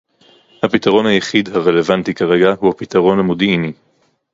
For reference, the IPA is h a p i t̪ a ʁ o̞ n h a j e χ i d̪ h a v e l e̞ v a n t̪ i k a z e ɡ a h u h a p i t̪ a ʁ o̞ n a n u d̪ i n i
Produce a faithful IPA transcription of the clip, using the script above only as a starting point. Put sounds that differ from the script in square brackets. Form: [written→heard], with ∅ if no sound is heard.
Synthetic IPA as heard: h a p i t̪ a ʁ o̞ n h a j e χ i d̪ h a [v→ʁ] e l e̞ v a n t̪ i k a [z→ʁ] e ɡ a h u h a p i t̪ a ʁ o̞ n a [n→m] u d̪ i n i